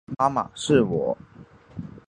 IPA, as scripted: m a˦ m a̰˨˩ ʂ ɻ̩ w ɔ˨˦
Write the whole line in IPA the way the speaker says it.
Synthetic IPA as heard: m a˦ m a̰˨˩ ʂ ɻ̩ w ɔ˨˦